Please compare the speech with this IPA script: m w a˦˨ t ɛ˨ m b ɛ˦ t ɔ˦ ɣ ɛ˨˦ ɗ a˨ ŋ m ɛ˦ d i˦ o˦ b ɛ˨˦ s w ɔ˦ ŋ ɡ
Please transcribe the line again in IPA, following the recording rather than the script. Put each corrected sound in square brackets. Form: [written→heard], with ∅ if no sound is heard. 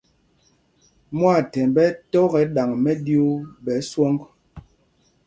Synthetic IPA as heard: m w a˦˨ t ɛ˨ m b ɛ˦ t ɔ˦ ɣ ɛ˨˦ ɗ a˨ ŋ m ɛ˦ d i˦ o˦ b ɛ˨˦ s w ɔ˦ ŋ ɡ